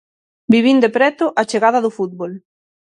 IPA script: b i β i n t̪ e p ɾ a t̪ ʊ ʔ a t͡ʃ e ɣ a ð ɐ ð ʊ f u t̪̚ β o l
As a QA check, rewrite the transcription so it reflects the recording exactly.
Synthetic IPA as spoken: b i β i n d̪ e p ɾ ɛ t̪ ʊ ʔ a t͡ʃ e ɣ a ð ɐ ð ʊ f u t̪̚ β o l